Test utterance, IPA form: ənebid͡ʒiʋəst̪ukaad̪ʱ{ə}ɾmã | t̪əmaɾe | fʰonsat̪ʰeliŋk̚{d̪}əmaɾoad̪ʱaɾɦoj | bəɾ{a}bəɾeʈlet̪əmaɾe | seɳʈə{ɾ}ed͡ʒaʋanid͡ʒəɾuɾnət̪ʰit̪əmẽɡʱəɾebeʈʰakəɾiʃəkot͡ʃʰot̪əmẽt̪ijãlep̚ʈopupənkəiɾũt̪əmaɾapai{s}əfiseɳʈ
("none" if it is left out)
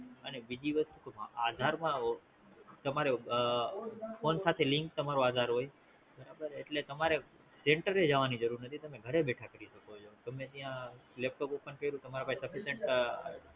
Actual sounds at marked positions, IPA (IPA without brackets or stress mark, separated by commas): a, t̪, a, ɾ, s